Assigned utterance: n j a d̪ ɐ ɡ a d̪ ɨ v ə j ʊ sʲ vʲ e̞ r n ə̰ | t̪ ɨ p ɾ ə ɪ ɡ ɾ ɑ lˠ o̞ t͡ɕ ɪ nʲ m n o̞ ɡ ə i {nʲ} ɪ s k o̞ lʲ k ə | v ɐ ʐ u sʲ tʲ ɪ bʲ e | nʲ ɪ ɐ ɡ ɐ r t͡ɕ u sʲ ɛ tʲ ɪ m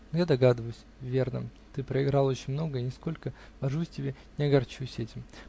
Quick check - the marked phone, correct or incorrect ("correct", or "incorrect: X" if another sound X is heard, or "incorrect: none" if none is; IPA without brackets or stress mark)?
correct